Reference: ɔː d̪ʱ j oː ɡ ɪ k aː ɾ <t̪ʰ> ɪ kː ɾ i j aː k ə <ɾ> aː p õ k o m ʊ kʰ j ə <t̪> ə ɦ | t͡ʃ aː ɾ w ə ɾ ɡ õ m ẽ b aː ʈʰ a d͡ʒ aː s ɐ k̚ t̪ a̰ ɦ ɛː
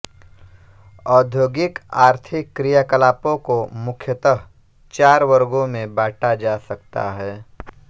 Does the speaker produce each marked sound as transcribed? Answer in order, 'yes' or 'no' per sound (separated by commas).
yes, no, yes